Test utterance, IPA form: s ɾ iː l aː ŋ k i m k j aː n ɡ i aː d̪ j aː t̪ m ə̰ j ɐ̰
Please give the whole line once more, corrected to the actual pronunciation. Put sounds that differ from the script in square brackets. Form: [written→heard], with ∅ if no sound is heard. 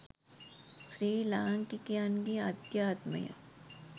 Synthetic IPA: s ɾ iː l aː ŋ k i [m→∅] k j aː n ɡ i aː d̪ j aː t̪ m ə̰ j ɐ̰